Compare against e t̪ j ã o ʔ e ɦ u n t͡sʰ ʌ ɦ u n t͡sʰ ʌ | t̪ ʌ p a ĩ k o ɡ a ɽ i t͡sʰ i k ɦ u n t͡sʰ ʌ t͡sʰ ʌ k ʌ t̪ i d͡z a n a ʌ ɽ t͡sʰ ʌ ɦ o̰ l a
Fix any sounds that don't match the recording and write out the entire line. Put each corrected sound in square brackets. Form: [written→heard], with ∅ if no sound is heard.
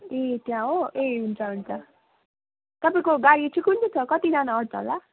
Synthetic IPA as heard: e t̪ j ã o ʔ e ɦ u n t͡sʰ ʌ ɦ u n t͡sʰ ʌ | t̪ ʌ p a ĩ k o ɡ a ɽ i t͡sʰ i k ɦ u n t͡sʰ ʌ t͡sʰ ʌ k ʌ t̪ i d͡z a n a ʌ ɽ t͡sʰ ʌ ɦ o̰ l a